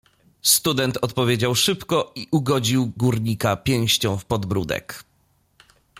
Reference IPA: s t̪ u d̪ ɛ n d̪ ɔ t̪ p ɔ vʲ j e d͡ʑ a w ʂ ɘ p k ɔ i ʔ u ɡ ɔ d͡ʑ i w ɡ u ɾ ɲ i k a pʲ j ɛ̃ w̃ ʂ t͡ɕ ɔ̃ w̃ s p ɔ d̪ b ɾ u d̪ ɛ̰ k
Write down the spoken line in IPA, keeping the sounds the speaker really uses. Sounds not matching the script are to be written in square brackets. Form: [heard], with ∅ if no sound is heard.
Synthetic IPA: s t̪ u d̪ ɛ n [t̪] ɔ t̪ p ɔ vʲ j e d͡ʑ a w ʂ ɘ p k ɔ i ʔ u ɡ ɔ d͡ʑ i w ɡ u ɾ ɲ i k a pʲ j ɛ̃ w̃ [ɕ] t͡ɕ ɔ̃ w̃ [f] p ɔ d̪ b ɾ u d̪ ɛ̰ k